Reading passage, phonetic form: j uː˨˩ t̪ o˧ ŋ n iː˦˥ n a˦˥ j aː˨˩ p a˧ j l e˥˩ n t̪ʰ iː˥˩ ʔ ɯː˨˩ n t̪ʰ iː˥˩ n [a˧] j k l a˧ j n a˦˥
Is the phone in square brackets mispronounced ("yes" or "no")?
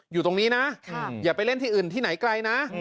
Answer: yes